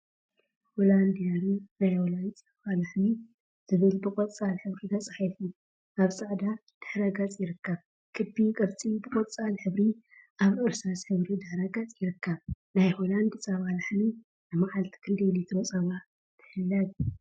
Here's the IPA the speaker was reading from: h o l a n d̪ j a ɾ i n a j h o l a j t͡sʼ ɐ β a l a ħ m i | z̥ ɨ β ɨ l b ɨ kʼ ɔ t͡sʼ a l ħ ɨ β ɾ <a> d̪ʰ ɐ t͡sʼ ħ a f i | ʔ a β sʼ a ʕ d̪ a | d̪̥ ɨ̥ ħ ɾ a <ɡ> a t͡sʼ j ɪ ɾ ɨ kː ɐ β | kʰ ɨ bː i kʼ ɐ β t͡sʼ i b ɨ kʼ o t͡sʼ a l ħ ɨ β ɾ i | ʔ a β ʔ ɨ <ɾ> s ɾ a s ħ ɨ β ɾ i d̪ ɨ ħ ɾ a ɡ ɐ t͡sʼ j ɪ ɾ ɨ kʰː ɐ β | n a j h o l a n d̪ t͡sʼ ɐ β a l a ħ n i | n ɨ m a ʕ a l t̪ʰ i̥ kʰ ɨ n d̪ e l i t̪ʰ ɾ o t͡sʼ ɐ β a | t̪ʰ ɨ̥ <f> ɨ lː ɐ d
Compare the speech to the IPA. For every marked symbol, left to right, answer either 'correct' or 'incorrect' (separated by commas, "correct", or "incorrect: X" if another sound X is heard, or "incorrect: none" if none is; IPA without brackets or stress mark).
incorrect: i, correct, correct, incorrect: ħ